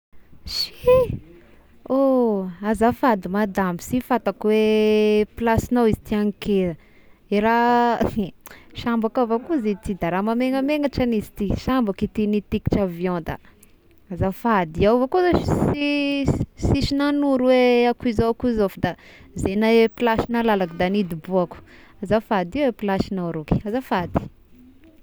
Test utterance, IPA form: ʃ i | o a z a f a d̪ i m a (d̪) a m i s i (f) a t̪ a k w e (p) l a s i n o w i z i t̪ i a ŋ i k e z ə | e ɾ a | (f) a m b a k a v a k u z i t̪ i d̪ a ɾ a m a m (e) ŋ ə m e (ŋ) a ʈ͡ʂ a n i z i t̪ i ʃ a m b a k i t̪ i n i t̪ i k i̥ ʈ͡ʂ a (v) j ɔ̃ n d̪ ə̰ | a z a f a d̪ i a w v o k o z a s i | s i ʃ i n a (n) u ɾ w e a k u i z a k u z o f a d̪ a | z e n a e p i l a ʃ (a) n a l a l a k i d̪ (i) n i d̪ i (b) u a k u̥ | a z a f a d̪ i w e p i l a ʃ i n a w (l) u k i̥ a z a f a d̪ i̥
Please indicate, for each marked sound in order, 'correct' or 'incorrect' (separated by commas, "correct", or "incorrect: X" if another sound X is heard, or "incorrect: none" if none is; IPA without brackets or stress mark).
correct, correct, correct, incorrect: ʃ, correct, correct, correct, correct, incorrect: i, incorrect: a, correct, incorrect: ɾ